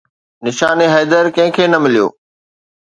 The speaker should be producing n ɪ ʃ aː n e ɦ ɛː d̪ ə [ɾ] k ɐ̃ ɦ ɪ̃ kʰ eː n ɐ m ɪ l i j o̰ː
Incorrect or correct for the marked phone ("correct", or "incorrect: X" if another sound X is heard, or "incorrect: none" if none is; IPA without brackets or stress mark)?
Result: correct